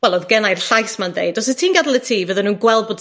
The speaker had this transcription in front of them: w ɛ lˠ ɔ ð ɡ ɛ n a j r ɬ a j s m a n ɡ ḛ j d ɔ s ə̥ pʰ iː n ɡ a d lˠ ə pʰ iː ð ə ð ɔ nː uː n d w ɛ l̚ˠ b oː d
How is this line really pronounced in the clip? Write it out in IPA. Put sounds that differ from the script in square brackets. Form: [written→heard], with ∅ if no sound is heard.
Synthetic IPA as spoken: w ɛ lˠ ɔ ð ɡ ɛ n a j r ɬ a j s m a n [ɡ→d] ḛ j d ɔ s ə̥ [pʰ→tʰ] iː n ɡ a d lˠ ə [pʰ→tʰ] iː [ð→v] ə ð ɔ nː uː n [d→ɡ] w ɛ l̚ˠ b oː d